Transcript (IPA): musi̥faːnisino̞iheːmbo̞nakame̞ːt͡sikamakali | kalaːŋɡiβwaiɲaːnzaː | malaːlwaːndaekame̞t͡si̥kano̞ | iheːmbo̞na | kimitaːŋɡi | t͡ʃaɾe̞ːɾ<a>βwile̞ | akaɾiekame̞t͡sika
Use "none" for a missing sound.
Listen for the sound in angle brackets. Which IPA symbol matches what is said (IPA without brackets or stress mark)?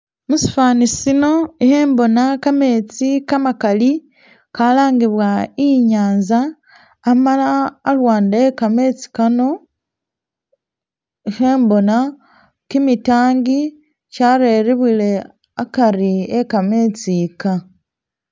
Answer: i